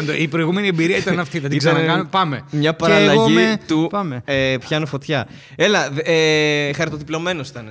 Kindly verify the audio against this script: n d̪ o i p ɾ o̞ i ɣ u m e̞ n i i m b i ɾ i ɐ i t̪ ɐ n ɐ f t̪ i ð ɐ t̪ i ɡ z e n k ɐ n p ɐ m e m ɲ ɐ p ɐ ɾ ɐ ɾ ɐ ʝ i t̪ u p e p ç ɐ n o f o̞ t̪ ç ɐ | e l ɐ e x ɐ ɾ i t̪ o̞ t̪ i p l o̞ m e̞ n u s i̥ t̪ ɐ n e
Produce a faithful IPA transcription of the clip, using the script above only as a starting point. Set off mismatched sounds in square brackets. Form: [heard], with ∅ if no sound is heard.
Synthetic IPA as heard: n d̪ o i p ɾ o̞ i ɣ u m e̞ n i [e] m b i ɾ i ɐ i t̪ ɐ n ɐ f t̪ i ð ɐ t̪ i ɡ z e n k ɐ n p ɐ m e m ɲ ɐ p ɐ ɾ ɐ [l] ɐ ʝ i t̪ u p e p ç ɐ n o f o̞ t̪ ç ɐ | e l ɐ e x ɐ ɾ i t̪ o̞ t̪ i p l o̞ m e̞ n [o] s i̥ t̪ ɐ n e